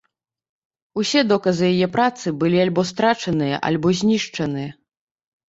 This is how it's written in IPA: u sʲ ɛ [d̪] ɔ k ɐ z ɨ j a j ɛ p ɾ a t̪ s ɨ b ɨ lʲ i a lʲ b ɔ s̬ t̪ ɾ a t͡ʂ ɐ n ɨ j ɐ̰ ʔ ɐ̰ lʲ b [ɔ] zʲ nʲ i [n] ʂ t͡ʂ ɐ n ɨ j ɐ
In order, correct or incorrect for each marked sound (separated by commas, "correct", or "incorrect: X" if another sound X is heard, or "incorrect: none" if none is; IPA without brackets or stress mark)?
correct, correct, incorrect: none